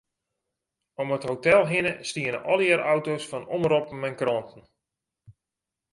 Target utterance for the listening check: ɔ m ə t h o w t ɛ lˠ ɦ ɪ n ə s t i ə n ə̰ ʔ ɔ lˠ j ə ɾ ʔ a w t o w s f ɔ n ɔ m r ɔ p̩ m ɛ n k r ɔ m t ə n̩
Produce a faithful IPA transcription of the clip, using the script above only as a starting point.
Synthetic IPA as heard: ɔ m ə t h o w t ɛ lˠ ɦ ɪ n ə s t i ə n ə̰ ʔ ɔ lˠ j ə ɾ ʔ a w t o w s f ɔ n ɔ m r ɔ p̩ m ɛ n k r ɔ n t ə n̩